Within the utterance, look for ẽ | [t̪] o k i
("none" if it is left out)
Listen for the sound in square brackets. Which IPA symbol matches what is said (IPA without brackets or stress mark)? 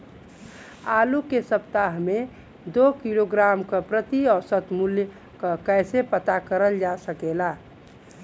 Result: d̪